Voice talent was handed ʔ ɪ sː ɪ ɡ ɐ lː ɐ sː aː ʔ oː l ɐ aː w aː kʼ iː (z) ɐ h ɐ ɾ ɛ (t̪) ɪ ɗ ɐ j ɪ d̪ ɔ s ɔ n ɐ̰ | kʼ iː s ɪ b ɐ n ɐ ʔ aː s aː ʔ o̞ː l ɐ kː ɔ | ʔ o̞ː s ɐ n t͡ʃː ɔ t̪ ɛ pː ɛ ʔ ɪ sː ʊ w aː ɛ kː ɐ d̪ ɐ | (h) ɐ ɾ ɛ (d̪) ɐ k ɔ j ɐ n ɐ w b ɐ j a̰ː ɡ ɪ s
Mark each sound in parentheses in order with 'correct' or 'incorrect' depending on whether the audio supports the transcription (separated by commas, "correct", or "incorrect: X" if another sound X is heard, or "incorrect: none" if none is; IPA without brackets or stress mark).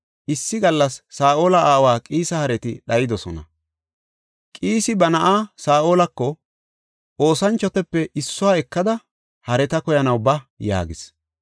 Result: incorrect: s, correct, correct, incorrect: t̪